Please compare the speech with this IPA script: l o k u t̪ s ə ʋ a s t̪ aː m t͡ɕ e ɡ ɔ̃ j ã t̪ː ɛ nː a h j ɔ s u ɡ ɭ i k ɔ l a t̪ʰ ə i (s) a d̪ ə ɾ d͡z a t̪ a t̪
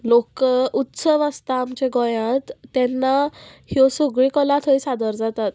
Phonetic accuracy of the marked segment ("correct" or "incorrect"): correct